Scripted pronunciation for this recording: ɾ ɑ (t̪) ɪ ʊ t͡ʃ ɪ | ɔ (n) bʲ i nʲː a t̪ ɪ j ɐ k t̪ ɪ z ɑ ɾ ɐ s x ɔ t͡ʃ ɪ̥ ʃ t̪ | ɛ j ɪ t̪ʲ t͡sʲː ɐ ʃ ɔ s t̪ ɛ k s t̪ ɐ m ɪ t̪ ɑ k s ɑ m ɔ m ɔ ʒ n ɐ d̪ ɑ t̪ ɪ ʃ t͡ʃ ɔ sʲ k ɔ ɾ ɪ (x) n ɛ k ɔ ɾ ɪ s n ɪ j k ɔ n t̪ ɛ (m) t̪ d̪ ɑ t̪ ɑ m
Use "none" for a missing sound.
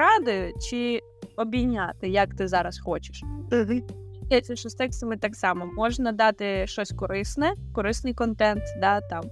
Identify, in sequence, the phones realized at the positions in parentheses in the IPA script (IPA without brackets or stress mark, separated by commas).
d̪, none, s, n